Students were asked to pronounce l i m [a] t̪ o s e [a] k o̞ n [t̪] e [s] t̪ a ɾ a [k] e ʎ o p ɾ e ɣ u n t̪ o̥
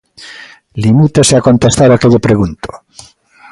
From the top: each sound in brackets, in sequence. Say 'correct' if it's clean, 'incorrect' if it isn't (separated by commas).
incorrect, correct, correct, correct, correct